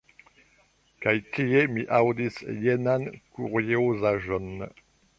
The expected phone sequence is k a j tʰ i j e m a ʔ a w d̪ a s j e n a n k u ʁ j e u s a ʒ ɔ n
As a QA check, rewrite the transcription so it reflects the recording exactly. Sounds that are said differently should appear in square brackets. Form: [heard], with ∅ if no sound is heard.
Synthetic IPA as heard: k a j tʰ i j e m [i] ʔ a w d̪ [i] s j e n a n k u ʁ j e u [z] a ʒ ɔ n